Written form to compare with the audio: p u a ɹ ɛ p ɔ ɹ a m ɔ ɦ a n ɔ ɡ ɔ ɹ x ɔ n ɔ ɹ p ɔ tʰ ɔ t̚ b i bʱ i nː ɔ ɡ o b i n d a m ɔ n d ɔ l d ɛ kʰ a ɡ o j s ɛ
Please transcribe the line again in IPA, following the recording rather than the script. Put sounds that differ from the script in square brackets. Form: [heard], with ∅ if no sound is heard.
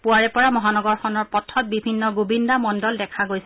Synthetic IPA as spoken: p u a ɹ ɛ p ɔ ɹ a m ɔ ɦ a n ɔ ɡ ɔ ɹ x ɔ n ɔ ɹ p ɔ tʰ ɔ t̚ b i bʱ i nː ɔ ɡ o b i n d a m ɔ n d ɔ l d ɛ kʰ a ɡ o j s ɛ

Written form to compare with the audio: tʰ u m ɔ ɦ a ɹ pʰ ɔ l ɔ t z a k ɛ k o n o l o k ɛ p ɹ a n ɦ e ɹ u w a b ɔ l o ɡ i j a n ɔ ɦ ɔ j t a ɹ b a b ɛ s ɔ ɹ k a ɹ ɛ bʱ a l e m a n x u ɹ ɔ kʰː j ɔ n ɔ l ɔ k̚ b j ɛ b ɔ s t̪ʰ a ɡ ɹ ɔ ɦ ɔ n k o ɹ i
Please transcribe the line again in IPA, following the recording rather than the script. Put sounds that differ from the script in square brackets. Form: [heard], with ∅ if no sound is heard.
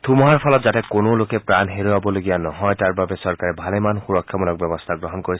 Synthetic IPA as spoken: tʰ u m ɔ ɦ a ɹ pʰ ɔ l ɔ t z a [t] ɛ k o n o l o k ɛ p ɹ a n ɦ e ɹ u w a b ɔ l o ɡ i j a n ɔ ɦ ɔ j t a ɹ b a b ɛ s ɔ ɹ k a ɹ ɛ bʱ a l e m a n x u ɹ ɔ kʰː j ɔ [m] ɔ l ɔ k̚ b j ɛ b ɔ s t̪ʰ a ɡ ɹ ɔ ɦ ɔ n k o ɹ i

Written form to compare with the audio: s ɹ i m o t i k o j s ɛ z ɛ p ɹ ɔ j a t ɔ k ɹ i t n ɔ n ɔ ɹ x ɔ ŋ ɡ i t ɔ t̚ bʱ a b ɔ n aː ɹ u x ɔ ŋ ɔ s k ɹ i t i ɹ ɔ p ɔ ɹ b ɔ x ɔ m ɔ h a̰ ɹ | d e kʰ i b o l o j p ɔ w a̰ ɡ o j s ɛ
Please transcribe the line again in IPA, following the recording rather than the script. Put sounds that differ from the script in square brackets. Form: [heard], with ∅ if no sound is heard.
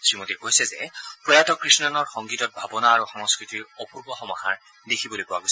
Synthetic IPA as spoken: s ɹ i m o t i k o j s ɛ z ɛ p ɹ ɔ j a t ɔ k ɹ i [s] n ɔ n ɔ ɹ x ɔ ŋ ɡ i t ɔ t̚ bʱ a b ɔ n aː ɹ u x ɔ ŋ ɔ s k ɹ i t i ɹ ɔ p [u] ɹ b ɔ x ɔ m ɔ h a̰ ɹ | d e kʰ i b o l o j p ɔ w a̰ ɡ o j s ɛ

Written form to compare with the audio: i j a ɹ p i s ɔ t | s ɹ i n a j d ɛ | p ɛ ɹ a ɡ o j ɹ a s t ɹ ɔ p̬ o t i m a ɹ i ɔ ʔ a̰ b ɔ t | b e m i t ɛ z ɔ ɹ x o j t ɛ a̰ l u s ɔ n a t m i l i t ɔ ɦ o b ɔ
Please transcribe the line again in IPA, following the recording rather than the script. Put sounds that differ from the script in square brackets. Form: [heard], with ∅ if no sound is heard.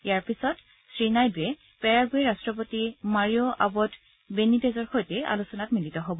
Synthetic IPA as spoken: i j a ɹ p i s ɔ t | s ɹ i n a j d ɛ | p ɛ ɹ a ɡ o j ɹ a s t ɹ ɔ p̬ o t i m a ɹ i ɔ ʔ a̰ b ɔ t | b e [n] i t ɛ z ɔ ɹ x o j t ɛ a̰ l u s ɔ n a t m i l i t ɔ ɦ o b ɔ

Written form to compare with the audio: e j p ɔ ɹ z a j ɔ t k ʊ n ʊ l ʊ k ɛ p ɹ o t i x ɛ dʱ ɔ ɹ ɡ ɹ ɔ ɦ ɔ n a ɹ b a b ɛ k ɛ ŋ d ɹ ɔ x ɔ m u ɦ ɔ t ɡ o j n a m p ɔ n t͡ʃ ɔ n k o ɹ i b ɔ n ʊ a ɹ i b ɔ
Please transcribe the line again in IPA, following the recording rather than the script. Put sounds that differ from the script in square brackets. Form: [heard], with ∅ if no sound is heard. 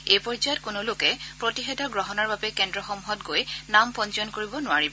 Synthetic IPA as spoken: e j p ɔ ɹ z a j ɔ t k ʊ n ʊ l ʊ k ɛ p ɹ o t i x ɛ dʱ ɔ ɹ ɡ ɹ ɔ ɦ ɔ n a ɹ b a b ɛ k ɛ [n] d ɹ ɔ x ɔ m u ɦ ɔ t ɡ o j n a m p ɔ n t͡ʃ ɔ n k o ɹ i b ɔ n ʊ a ɹ i b ɔ

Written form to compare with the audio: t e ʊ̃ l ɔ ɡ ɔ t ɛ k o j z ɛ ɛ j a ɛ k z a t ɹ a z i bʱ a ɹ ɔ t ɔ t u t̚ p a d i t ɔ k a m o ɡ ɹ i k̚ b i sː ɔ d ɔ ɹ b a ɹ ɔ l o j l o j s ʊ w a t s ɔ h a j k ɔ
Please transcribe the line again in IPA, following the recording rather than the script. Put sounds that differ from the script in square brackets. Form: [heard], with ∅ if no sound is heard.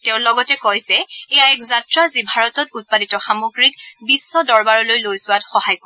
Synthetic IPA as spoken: t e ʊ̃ l ɔ ɡ ɔ t ɛ k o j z ɛ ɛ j a ɛ k z a t ɹ a z i bʱ a ɹ ɔ t ɔ t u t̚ p a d i t ɔ [x] a m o ɡ ɹ i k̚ b i sː ɔ d ɔ ɹ b a ɹ ɔ l o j l o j s ʊ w a t [x] ɔ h a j k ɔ

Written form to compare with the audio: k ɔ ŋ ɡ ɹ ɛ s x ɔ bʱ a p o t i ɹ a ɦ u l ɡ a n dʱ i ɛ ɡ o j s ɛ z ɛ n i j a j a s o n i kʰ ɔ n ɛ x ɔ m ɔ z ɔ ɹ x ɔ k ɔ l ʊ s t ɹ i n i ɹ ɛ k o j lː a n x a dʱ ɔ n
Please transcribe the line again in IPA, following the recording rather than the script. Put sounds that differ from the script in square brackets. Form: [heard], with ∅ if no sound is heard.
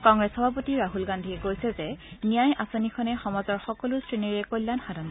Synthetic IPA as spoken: k ɔ ŋ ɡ ɹ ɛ s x ɔ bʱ a p o t i ɹ a ɦ u l ɡ a n dʱ i ɛ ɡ o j s ɛ z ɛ n i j a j a s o n i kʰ ɔ n ɛ x ɔ m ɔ z ɔ ɹ x ɔ k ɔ l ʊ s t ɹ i n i ɹ ɛ k o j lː a n x a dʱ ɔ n

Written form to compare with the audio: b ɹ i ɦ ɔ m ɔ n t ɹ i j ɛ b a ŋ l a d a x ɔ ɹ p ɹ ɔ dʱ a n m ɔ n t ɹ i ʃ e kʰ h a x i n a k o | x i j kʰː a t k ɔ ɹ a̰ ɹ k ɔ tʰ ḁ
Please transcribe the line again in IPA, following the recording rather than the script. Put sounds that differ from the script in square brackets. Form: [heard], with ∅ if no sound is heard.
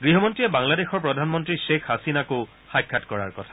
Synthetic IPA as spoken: [ɡ] ɹ i ɦ ɔ m ɔ n t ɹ i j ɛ b a ŋ l a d [e] x ɔ ɹ p ɹ ɔ dʱ a n m ɔ n t ɹ i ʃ e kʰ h a [s] i n a k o | x [a] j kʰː a t k ɔ ɹ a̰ ɹ k ɔ tʰ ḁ

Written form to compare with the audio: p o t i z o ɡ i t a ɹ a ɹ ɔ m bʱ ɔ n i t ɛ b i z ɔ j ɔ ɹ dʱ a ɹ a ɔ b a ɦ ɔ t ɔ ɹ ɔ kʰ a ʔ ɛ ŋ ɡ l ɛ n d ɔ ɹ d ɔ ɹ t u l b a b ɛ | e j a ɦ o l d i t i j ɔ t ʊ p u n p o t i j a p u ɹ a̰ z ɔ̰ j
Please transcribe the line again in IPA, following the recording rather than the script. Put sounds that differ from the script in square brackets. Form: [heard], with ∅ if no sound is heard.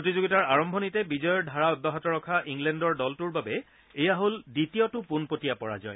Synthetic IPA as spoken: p o t i z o ɡ i t a ɹ a ɹ ɔ m bʱ ɔ n i t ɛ b i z ɔ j ɔ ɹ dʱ a ɹ a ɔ b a ɦ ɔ t ɔ ɹ ɔ kʰ a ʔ [i] ŋ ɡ l ɛ n d ɔ ɹ d ɔ [l] t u [ɹ] b a b ɛ | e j a ɦ o l d i t i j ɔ t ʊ p u n p o t i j a p [ɔ] ɹ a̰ z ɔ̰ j

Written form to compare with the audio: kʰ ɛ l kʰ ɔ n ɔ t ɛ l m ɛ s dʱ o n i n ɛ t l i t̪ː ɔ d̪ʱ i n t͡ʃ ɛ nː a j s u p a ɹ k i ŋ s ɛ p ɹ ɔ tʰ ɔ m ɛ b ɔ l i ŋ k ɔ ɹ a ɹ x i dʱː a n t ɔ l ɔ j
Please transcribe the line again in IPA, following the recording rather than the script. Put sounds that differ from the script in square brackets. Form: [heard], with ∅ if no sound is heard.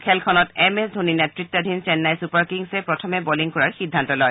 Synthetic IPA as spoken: kʰ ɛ l kʰ ɔ n ɔ t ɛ [∅] m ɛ s dʱ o n i n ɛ t [ɹ] i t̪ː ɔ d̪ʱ i n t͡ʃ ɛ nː a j s u p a ɹ k i ŋ s ɛ p ɹ ɔ tʰ ɔ m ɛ b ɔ l i ŋ k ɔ ɹ a ɹ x i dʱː a n t ɔ l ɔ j

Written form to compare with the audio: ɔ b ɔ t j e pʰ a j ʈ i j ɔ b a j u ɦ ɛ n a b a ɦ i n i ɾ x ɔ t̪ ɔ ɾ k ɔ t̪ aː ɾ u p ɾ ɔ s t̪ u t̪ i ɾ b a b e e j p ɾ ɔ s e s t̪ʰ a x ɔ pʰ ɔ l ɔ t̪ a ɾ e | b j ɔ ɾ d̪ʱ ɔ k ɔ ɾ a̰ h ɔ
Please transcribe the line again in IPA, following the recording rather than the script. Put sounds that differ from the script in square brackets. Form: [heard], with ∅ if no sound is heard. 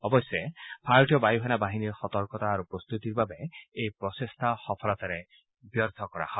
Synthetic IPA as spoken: ɔ b ɔ [s] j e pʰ a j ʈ i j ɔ b a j u ɦ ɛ n a b a ɦ i n i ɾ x ɔ t̪ ɔ ɾ k ɔ t̪ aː ɾ u p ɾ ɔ s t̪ u t̪ i ɾ b a b e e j p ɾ ɔ s e s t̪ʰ a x ɔ pʰ ɔ l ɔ t̪ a ɾ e | b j ɔ ɾ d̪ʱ ɔ k ɔ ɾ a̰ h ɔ

